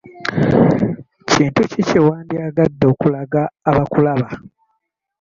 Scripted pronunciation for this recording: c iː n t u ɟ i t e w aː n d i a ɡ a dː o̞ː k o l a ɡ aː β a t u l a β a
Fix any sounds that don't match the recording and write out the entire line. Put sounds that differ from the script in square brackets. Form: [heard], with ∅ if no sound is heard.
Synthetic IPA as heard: c iː n t u [c] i [c] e w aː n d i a ɡ a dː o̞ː k [u] l a ɡ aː β a [k] u l a β a